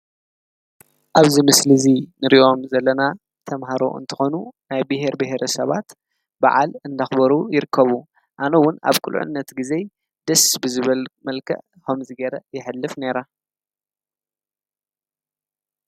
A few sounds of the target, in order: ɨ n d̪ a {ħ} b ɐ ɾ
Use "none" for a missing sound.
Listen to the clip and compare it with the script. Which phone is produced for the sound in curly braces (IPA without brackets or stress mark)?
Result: x